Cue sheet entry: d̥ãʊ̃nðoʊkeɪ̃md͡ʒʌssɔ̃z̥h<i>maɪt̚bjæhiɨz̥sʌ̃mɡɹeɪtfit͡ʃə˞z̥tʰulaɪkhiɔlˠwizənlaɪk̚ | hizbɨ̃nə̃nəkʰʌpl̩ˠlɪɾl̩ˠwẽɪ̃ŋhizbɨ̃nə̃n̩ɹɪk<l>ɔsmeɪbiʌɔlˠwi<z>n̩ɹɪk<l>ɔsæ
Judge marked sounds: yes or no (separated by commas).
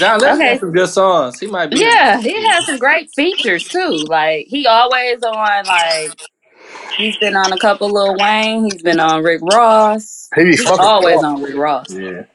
yes, no, yes, no